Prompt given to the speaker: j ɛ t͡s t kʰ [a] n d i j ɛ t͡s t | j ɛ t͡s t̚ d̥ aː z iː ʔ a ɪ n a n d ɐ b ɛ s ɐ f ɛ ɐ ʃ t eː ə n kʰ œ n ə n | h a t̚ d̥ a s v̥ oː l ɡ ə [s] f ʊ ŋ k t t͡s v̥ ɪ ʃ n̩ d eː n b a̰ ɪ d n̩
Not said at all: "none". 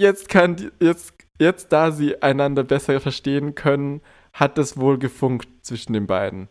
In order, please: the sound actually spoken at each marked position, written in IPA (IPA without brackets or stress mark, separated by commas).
a, none